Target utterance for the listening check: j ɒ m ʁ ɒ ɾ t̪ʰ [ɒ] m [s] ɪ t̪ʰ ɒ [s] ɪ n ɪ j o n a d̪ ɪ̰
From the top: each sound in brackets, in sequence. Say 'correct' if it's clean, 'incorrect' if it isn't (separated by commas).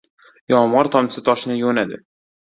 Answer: correct, correct, incorrect